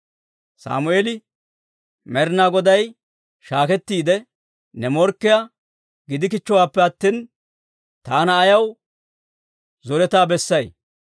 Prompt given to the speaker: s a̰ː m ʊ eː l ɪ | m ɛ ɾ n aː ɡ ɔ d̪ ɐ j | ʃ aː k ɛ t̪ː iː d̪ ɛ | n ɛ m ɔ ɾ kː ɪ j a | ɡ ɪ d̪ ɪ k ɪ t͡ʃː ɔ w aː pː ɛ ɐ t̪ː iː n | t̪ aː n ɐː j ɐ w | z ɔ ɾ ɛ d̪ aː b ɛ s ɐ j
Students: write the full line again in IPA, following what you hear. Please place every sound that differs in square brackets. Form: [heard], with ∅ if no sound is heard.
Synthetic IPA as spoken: s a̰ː m ʊ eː l ɪ | m ɛ ɾ n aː ɡ ɔ d̪ ɐ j | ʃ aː k ɛ t̪ː iː d̪ ɛ | n ɛ m ɔ ɾ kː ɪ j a | ɡ ɪ d̪ ɪ k ɪ t͡ʃː ɔ w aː pː ɛ ɐ t̪ː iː n | t̪ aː n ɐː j ɐ w | z ɔ ɾ ɛ [t̪] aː b ɛ [sː] ɐ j